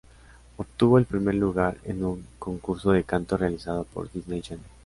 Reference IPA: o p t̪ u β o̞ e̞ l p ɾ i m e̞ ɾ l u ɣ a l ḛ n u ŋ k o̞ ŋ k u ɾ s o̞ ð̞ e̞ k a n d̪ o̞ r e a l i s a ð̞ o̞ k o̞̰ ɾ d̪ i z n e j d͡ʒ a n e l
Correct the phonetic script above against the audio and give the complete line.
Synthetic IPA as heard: o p t̪ u β o̞ e̞ l p ɾ i m e̞ ɾ l u ɣ a ɾ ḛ n u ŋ k o̞ ŋ k u ɾ s o̞ ð̞ e̞ k a n t̪ o̞ r e a l i s a ð̞ o̞ p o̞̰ ɾ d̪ i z n e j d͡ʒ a n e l